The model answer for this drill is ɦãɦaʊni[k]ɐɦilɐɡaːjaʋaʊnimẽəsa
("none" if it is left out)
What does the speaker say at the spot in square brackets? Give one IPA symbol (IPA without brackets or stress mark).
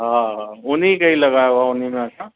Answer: k